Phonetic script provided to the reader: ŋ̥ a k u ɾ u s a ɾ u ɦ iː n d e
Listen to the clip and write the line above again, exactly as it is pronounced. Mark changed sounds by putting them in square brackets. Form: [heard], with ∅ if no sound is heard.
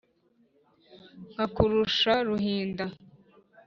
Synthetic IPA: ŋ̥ a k u ɾ u [ʃ] a ɾ u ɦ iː n d [a]